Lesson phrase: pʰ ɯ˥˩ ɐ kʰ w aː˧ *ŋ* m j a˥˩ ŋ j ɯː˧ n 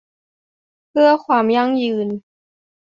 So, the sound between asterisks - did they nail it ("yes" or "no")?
no